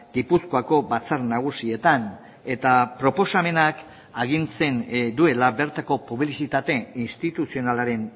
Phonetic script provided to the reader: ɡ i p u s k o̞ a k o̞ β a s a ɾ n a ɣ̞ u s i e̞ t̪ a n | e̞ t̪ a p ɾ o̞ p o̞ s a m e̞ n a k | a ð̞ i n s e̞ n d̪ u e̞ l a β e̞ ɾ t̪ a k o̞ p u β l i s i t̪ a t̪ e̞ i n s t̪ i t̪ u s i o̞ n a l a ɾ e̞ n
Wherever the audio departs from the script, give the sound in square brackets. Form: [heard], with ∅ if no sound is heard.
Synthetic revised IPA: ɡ i p u s k o̞ a k o̞ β a [t͡s] a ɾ n a ɣ̞ u s i e̞ t̪ a n | e̞ t̪ a p ɾ o̞ p o̞ s a m e̞ n a k | a [ɣ̞] i n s e̞ n d̪ u e̞ l a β e̞ ɾ t̪ a k o̞ p u β l i s i t̪ a t̪ e̞ i n s t̪ i t̪ u s i o̞ n a l a ɾ e̞ n